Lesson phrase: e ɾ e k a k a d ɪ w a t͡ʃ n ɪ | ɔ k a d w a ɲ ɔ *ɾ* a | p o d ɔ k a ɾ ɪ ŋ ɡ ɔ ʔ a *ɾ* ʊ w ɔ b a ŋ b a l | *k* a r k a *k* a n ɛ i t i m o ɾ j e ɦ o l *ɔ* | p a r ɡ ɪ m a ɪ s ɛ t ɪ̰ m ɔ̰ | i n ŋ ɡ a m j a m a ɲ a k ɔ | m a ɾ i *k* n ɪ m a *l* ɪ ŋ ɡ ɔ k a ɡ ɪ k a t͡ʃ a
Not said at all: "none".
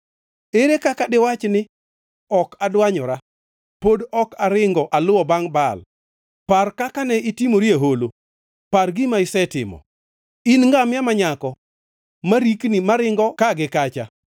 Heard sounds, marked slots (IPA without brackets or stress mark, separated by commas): ɾ, l, p, k, o, k, ɾ